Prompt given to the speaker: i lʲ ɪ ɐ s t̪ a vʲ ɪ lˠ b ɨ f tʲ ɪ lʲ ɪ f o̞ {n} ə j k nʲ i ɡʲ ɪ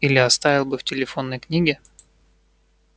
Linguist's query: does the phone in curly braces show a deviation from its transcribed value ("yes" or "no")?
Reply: yes